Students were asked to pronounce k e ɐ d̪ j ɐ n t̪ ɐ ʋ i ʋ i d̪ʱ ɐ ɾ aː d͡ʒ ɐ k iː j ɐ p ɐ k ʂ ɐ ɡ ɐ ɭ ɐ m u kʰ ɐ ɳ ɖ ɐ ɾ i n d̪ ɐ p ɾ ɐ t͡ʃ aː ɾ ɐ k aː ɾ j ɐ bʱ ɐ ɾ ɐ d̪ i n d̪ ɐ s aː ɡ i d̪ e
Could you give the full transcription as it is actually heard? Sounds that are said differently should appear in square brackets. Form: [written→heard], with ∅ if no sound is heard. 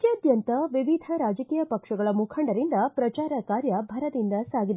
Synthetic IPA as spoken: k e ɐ d̪ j ɐ n t̪ ɐ ʋ i ʋ i d̪ʱ ɐ ɾ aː d͡ʒ ɐ k iː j ɐ p ɐ k ʂ ɐ ɡ ɐ ɭ ɐ m u kʰ ɐ ɳ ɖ ɐ ɾ i n d̪ ɐ p ɾ ɐ t͡ʃ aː ɾ ɐ k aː ɾ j ɐ bʱ ɐ ɾ ɐ d̪ i n d̪ ɐ s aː ɡ i d̪ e